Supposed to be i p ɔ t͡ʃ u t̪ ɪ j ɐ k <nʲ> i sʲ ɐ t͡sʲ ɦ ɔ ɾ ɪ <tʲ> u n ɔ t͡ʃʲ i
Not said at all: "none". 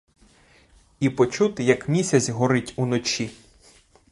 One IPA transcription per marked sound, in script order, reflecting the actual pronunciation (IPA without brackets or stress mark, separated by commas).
mʲ, tʲ